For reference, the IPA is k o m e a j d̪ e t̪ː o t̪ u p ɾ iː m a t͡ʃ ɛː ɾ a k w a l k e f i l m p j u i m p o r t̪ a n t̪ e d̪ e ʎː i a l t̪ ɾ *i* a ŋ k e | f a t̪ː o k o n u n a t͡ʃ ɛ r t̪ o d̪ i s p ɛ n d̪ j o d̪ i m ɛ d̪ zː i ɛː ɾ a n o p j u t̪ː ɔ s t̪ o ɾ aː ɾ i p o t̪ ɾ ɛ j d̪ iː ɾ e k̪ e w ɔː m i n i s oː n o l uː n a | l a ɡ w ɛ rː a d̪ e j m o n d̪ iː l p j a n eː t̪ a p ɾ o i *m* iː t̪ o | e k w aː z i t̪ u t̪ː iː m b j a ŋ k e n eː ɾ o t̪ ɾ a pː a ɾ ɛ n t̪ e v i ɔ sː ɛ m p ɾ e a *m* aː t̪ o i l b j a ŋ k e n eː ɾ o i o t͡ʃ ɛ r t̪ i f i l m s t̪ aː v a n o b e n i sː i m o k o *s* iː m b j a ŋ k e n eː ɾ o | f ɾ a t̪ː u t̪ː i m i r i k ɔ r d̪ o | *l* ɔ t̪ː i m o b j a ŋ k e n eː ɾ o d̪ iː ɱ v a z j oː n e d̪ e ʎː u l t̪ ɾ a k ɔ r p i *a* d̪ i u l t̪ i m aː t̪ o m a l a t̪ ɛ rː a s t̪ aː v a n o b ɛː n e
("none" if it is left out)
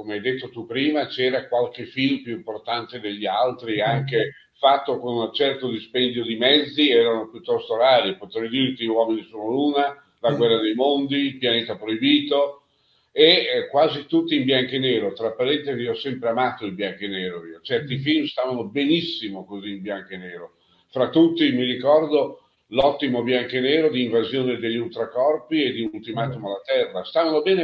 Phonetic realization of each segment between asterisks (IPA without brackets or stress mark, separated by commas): i, b, m, z, l, e